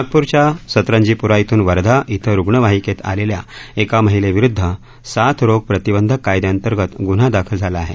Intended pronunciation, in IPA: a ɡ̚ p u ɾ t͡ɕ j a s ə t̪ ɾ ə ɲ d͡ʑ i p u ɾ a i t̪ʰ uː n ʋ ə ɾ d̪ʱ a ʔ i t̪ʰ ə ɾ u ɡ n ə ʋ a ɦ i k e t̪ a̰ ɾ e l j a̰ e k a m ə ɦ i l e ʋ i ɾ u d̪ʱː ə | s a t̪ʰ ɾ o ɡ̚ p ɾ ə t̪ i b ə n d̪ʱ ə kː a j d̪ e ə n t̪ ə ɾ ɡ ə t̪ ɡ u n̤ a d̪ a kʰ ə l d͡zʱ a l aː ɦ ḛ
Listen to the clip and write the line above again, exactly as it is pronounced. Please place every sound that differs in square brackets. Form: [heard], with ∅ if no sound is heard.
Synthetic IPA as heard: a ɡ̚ p u ɾ t͡ɕ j a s ə t̪ ɾ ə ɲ d͡ʑ i p u ɾ a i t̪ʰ uː n ʋ ə ɾ d̪ʱ a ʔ i t̪ʰ ə ɾ u ɡ [ɳ] ə ʋ a ɦ i k e t̪ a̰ [l] e l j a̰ e k a m ə ɦ i l e ʋ i ɾ u d̪ʱː ə | s a t̪ʰ ɾ o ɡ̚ p ɾ ə t̪ i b ə n d̪ʱ ə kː a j d̪ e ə n t̪ ə ɾ ɡ ə t̪ ɡ u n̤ a d̪ a kʰ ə l d͡zʱ a l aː ɦ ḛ